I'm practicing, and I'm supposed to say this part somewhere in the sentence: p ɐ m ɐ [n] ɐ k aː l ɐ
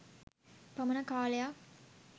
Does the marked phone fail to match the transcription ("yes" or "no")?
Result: no